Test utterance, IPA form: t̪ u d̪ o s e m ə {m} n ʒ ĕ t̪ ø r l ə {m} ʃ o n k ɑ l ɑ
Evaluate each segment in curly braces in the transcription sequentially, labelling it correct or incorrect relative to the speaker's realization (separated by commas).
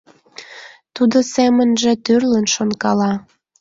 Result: incorrect, incorrect